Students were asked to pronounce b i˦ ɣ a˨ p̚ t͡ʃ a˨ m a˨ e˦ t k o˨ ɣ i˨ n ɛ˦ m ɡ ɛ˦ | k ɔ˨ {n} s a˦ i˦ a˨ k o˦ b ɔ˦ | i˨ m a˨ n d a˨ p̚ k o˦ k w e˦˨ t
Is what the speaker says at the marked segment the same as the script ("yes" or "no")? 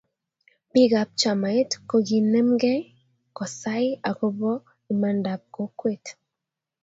no